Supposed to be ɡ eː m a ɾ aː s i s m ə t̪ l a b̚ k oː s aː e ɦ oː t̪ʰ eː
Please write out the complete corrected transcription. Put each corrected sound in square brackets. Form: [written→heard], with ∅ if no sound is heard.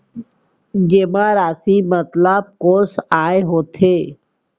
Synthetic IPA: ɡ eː m a ɾ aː s i [s→∅] m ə t̪ l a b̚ k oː s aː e ɦ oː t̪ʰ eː